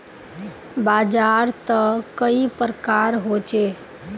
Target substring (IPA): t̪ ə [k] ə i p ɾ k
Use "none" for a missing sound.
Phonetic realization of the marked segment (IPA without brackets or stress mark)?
k